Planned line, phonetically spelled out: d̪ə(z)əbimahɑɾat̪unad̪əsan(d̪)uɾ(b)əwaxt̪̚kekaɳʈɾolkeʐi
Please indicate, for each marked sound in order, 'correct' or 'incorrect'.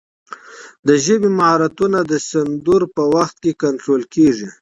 incorrect: ʒ, correct, incorrect: p

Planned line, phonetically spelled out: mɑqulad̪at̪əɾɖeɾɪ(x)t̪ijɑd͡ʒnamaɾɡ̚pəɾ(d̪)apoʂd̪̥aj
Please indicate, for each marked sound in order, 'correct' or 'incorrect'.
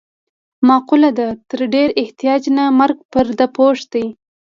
incorrect: h, correct

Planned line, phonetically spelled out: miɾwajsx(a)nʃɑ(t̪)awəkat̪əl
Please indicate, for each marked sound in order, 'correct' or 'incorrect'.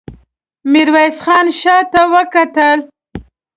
incorrect: ɑ, correct

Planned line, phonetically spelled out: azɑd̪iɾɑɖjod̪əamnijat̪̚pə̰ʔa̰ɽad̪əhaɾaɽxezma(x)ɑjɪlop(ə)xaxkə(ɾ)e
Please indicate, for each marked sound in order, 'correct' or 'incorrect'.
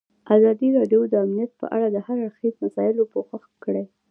incorrect: s, correct, incorrect: ɽ

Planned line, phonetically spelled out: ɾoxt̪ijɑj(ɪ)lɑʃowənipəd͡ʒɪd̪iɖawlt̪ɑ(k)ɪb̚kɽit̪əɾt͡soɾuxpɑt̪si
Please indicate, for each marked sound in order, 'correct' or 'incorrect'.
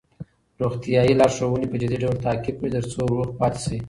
incorrect: i, correct

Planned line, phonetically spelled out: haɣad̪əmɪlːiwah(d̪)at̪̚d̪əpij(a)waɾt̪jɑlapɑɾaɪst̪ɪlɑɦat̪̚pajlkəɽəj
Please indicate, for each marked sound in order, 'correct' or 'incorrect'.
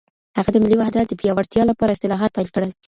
correct, incorrect: ɑ

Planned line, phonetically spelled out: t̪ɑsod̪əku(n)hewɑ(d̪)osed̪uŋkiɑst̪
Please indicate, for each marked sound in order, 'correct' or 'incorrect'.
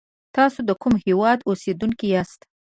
incorrect: m, correct

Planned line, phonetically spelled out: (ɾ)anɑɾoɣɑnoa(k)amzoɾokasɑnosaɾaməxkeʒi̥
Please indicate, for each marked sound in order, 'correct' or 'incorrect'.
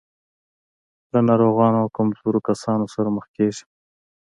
incorrect: l, correct

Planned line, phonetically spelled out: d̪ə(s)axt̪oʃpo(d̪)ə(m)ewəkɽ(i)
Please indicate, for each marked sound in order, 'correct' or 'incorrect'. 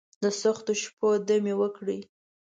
correct, correct, correct, correct

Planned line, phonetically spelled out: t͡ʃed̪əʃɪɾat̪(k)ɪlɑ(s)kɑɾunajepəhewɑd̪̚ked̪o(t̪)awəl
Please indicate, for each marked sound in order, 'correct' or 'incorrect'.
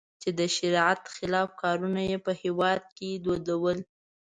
incorrect: x, incorrect: f, incorrect: d̪

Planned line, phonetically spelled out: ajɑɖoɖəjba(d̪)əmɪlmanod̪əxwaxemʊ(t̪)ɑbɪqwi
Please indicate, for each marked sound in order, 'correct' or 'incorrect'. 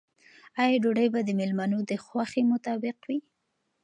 correct, correct

